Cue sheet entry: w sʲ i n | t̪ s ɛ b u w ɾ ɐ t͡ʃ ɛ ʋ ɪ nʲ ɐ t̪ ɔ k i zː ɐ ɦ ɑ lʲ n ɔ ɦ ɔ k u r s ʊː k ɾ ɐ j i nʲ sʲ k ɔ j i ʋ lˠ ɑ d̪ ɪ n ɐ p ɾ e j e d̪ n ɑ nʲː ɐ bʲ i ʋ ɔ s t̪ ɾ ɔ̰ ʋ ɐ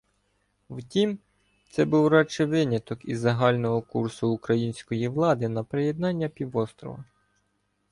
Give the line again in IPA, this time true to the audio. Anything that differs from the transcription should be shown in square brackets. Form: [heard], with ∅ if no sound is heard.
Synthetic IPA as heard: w [tʲ] i [m] | t̪ s ɛ b u w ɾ [ɑ] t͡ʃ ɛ ʋ ɪ nʲ ɐ t̪ ɔ k i zː ɐ ɦ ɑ lʲ n ɔ ɦ ɔ k u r s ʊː k ɾ ɐ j i nʲ sʲ k ɔ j i ʋ lˠ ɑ d̪ ɪ n ɐ p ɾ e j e d̪ n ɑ nʲː ɐ [pʲ] i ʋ ɔ s t̪ ɾ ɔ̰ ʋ ɐ

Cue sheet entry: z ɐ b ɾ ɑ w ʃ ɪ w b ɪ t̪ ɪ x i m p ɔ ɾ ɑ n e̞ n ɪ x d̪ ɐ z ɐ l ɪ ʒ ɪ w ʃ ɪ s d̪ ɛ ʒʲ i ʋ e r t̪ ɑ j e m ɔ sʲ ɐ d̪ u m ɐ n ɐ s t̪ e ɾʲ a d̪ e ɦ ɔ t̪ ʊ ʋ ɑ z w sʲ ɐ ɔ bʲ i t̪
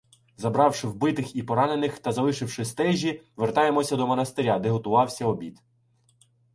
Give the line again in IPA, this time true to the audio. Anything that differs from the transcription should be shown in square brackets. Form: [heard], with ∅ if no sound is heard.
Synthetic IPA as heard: z ɐ b ɾ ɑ w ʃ ɪ w b ɪ t̪ ɪ x i [∅] p ɔ ɾ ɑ n e̞ n ɪ x [t̪] ɐ z ɐ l ɪ [ʃ] ɪ w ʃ ɪ s [t̪] ɛ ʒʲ i ʋ e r t̪ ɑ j e m ɔ sʲ ɐ d̪ [ɔ] m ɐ n ɐ s t̪ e ɾʲ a d̪ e ɦ ɔ t̪ ʊ ʋ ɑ [∅] w sʲ ɐ ɔ bʲ i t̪

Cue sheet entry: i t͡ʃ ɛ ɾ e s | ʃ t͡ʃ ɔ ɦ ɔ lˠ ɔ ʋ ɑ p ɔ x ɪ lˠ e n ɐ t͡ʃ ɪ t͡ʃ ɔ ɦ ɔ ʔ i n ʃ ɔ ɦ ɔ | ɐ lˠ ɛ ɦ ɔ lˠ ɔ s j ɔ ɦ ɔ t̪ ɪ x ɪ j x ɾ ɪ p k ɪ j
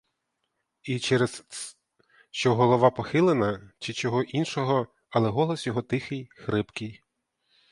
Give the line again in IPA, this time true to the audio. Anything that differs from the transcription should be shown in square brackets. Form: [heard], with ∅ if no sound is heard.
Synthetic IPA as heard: i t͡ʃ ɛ ɾ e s | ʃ t͡ʃ ɔ ɦ ɔ lˠ ɔ ʋ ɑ p ɔ x ɪ lˠ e n ɐ t͡ʃ ɪ t͡ʃ ɔ ɦ ɔ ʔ i n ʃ ɔ ɦ ɔ | ɐ lˠ ɛ ɦ ɔ lˠ ɔ s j ɔ ɦ ɔ t̪ ɪ x ɪ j x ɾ ɪ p k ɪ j

